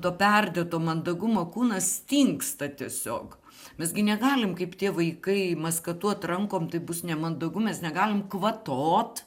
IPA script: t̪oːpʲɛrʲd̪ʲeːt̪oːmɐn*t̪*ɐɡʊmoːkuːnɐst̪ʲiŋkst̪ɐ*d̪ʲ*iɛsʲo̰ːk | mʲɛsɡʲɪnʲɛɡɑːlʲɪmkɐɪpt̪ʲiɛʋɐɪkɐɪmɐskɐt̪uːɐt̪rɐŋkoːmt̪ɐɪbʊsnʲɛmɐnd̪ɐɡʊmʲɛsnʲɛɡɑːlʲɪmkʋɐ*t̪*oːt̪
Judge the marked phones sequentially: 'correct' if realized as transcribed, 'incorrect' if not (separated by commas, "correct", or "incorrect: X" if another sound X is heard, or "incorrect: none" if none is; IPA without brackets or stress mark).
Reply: incorrect: d̪, incorrect: t̪ʲ, correct